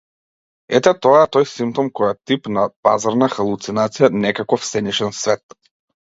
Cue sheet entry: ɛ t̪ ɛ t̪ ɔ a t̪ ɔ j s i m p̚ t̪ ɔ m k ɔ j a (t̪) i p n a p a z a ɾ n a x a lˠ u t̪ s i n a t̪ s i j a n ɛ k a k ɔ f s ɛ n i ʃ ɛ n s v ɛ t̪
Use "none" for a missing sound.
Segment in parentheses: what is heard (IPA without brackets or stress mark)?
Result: t̪